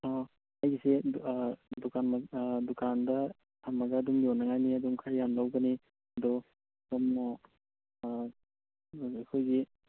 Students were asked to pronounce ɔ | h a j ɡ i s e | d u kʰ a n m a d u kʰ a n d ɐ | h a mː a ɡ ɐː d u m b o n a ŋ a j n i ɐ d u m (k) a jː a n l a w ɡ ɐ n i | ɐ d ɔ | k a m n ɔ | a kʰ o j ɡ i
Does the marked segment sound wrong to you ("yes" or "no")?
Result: yes